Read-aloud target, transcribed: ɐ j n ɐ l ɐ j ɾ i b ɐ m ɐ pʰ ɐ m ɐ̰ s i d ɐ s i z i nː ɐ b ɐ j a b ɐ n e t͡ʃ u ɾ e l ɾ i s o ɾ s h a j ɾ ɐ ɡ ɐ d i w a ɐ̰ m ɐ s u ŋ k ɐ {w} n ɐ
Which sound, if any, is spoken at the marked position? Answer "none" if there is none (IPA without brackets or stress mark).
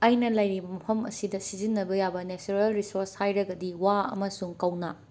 w